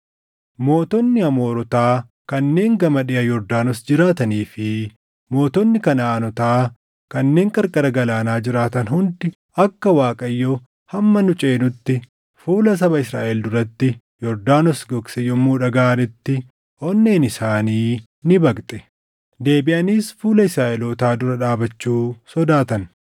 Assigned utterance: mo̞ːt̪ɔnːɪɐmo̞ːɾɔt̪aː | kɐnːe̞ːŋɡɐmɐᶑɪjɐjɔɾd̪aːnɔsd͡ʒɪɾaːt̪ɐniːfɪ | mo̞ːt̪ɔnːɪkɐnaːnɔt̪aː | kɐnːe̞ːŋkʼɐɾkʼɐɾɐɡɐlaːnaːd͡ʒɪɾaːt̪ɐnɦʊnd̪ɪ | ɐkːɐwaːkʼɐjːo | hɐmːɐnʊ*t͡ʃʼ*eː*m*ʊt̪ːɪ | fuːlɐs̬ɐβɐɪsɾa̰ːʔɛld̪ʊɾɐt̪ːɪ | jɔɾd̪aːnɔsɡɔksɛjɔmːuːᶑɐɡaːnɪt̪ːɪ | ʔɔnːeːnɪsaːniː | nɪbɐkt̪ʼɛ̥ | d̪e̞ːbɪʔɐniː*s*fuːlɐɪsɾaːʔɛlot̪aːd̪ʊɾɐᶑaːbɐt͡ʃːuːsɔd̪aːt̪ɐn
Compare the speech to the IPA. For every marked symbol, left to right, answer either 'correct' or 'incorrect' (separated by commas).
correct, incorrect, correct